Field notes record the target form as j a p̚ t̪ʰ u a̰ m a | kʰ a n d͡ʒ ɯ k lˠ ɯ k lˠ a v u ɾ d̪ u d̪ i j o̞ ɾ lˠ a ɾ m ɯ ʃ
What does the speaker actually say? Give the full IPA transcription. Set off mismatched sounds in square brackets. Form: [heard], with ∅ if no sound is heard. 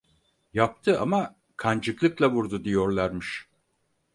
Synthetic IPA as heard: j a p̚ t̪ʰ [ɯ] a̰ m a | kʰ a n d͡ʒ ɯ k lˠ ɯ k lˠ a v u ɾ d̪ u d̪ i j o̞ ɾ lˠ a ɾ m ɯ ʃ